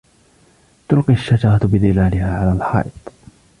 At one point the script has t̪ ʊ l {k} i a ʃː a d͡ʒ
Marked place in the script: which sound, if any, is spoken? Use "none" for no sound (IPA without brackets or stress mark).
q